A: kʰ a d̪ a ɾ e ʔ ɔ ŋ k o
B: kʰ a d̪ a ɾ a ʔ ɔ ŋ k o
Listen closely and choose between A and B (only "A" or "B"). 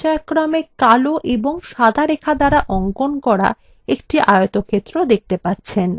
B